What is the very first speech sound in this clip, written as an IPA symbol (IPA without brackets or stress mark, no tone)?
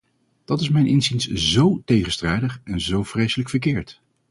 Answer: d̥